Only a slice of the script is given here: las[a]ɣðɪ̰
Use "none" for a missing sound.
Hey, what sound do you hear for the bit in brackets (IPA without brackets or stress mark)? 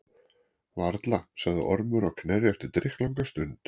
a